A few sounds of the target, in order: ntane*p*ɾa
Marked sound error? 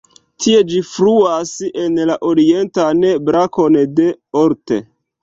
yes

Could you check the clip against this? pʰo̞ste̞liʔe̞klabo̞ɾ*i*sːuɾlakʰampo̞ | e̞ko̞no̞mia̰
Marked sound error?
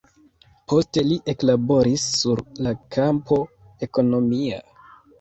no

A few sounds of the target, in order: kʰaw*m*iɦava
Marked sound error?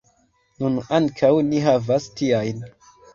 yes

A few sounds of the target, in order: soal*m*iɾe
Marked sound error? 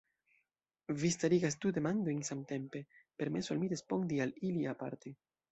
no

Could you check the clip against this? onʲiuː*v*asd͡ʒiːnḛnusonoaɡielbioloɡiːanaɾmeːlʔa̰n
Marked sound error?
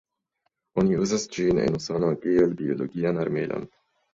yes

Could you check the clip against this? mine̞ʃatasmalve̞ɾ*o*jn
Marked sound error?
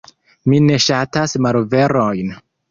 no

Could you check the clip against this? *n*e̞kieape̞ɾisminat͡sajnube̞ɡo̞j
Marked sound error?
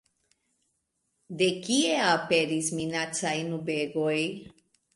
yes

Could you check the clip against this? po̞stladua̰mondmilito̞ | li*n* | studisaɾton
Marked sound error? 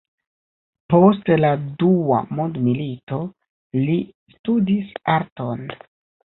yes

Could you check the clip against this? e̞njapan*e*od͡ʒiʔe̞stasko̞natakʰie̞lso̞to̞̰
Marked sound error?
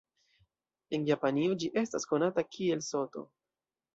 yes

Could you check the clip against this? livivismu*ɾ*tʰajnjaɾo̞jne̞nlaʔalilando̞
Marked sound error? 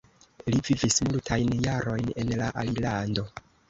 yes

